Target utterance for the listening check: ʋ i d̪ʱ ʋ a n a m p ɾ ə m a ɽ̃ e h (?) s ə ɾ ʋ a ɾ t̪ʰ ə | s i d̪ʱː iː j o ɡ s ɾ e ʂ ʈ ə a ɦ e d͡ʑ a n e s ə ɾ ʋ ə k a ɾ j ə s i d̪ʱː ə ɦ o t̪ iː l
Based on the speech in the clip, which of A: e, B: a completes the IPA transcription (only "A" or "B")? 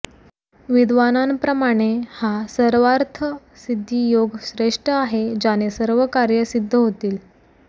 B